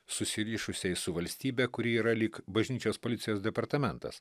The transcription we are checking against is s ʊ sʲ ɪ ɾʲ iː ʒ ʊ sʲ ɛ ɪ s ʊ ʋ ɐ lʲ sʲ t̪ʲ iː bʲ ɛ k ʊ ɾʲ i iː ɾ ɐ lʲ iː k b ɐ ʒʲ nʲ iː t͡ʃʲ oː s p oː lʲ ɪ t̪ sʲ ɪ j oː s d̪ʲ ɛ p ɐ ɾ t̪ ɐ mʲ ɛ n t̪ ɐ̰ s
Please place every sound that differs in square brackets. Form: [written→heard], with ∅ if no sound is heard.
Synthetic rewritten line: s ʊ sʲ ɪ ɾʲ iː [ʒ→ʃ] ʊ sʲ ɛ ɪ s ʊ ʋ ɐ lʲ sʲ t̪ʲ iː bʲ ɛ k ʊ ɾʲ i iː ɾ ɐ lʲ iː k b ɐ ʒʲ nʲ iː t͡ʃʲ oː s p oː lʲ ɪ t̪ sʲ ɪ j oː s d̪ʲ ɛ p ɐ ɾ t̪ ɐ mʲ ɛ n t̪ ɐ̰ s